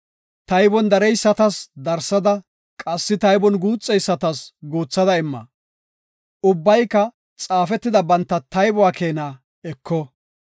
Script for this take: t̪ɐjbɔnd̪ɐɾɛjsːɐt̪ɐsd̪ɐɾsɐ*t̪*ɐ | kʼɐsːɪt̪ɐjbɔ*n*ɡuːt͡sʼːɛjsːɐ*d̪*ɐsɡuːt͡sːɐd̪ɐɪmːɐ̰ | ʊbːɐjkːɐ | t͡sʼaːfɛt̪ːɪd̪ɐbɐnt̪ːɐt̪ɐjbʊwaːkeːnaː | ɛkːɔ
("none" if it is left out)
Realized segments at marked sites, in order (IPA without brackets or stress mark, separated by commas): d̪, n, t̪